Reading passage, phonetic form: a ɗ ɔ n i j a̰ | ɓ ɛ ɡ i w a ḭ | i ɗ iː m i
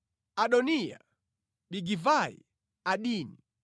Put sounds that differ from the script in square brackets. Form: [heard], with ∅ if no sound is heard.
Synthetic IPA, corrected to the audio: a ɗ ɔ n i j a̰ | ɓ [i] ɡ i [v] a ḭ | [a] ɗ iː [n] i

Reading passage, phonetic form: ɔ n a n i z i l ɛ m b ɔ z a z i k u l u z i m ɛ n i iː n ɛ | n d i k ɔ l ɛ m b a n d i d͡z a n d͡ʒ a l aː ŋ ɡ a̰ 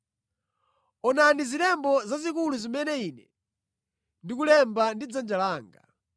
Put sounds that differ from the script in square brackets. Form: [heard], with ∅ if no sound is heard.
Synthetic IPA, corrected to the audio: ɔ n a n i z i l ɛ m b ɔ z a z i k u l u z i m ɛ n [ɛ] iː n ɛ | n d i k [u] l ɛ m b a n d i d͡z a n d͡ʒ a l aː ŋ ɡ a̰

